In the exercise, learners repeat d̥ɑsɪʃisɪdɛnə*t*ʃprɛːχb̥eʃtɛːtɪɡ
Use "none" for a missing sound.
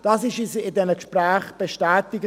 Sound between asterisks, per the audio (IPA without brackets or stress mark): k